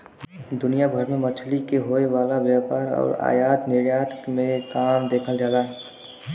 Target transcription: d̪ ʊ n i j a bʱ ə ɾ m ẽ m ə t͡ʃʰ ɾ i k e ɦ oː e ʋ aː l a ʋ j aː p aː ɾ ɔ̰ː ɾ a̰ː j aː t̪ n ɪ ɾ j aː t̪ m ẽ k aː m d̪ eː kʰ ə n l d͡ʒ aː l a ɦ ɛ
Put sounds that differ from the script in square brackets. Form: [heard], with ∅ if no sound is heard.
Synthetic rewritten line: d̪ ʊ n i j a bʱ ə ɾ m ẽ m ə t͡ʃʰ [l] i k e ɦ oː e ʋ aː l a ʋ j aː p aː ɾ ɔ̰ː ɾ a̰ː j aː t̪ n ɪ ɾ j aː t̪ m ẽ k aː m d̪ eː kʰ ə [∅] l d͡ʒ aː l a ɦ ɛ

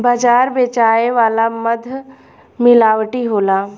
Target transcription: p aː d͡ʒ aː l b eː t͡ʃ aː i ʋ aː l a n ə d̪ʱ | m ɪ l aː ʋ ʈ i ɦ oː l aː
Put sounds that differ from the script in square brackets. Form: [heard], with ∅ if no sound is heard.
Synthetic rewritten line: [b] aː d͡ʒ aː [ɾ] b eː t͡ʃ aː [e] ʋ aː l a [m] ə d̪ʱ | m ɪ l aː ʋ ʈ i ɦ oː l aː

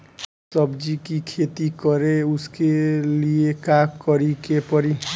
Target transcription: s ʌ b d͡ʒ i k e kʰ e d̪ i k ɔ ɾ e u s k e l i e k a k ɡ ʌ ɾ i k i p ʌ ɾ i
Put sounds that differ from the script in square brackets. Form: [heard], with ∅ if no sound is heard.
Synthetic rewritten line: s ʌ b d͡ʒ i k [i] kʰ e [t̪] i k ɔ ɾ e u s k e l i e k a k [k] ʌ ɾ i k [e] p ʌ ɾ i

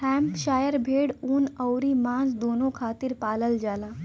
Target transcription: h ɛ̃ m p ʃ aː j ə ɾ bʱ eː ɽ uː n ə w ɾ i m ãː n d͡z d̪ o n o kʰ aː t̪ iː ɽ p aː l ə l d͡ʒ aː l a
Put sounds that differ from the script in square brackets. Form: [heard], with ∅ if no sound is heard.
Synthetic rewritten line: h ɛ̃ m p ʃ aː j ə ɾ bʱ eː ɽ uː n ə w ɾ i m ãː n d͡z d̪ o n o kʰ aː t̪ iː [ɾ] p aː l ə l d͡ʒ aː l a

